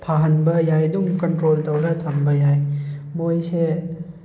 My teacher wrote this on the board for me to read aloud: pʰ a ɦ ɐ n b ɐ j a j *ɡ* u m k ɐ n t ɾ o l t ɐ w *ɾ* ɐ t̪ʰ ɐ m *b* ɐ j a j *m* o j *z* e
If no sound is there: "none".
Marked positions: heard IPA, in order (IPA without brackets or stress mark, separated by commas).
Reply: d, ɾ, b, m, s